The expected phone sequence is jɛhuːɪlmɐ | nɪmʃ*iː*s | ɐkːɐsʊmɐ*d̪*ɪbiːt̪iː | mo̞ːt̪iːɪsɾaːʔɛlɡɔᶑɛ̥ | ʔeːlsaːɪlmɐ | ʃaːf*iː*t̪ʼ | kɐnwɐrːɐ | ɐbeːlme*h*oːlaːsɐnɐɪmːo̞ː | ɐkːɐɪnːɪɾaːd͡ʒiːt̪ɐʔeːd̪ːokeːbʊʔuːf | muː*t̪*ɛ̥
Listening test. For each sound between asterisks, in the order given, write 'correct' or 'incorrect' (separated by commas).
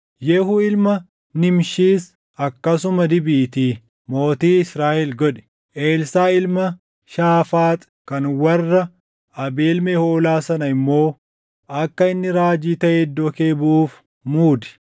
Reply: correct, correct, incorrect, correct, incorrect